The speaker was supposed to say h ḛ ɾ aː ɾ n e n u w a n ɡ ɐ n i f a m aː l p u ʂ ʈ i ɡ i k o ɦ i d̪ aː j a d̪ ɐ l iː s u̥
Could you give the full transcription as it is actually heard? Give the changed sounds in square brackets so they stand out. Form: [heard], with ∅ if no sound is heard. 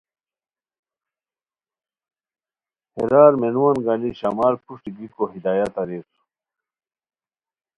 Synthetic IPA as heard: h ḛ ɾ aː ɾ [m] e n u w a n ɡ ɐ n i [ɕ] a m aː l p u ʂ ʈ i ɡ i k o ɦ i d̪ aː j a [t̪] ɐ [ɾ] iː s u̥